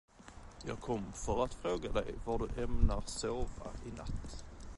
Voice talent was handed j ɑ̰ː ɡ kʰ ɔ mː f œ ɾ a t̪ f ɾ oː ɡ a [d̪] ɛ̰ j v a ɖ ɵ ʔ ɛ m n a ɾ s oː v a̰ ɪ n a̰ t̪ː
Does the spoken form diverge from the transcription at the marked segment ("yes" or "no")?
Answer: no